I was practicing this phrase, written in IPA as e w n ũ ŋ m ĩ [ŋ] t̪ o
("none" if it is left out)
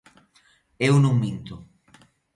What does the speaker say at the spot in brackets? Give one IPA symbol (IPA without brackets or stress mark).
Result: n